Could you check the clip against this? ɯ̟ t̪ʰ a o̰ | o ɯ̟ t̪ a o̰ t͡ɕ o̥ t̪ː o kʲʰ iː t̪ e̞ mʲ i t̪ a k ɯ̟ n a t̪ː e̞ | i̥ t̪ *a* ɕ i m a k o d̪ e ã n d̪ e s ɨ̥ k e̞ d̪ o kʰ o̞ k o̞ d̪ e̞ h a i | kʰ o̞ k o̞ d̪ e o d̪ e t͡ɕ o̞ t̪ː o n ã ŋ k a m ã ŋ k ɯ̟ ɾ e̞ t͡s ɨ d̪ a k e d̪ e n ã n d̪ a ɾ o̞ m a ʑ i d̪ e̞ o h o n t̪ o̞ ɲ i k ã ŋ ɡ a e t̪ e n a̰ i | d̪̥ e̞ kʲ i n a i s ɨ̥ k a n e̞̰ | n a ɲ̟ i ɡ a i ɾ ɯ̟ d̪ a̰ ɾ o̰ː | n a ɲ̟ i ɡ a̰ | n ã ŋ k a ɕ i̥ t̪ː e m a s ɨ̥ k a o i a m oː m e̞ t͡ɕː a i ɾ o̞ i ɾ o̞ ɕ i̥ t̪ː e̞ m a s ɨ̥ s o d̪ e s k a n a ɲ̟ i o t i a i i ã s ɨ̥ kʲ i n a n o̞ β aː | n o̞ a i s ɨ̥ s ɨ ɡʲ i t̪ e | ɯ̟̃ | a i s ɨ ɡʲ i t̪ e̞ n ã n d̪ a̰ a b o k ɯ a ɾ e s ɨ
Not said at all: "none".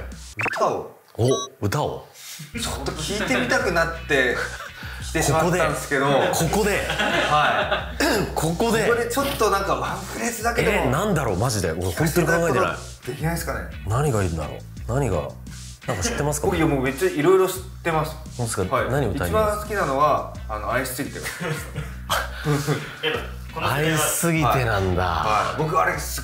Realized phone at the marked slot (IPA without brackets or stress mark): e